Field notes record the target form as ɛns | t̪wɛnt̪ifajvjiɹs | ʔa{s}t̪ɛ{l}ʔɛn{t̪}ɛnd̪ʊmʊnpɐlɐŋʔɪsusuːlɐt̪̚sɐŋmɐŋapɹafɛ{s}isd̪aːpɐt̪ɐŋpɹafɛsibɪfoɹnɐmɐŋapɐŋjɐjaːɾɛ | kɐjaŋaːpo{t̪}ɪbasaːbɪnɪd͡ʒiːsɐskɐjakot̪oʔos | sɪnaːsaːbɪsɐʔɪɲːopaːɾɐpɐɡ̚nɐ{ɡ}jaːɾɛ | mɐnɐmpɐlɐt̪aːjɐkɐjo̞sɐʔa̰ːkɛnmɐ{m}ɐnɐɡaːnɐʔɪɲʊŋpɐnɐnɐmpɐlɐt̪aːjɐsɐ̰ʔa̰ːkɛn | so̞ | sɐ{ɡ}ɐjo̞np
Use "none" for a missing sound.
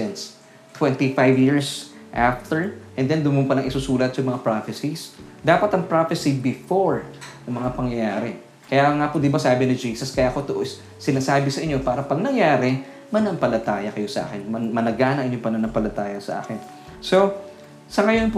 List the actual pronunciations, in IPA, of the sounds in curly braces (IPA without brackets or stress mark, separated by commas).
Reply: f, ɹ, d̪, s, d̪, ŋ, m, ŋ